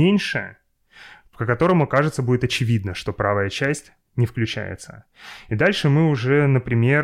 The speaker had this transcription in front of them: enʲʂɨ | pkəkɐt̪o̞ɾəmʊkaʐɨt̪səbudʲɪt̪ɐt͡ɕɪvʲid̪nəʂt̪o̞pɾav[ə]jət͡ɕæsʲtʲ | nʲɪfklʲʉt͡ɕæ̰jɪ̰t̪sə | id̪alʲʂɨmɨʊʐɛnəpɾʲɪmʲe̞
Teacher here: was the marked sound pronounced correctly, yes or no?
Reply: yes